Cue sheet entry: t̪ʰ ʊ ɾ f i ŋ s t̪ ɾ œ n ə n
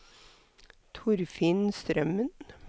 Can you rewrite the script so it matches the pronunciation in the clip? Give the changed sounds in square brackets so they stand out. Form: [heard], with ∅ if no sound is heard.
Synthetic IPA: t̪ʰ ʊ ɾ f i [n] s t̪ ɾ œ [m] ə n